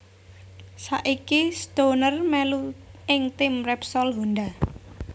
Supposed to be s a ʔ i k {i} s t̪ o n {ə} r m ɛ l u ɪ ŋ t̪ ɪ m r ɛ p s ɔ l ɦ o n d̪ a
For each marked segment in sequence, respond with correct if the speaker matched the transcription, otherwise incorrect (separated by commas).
correct, correct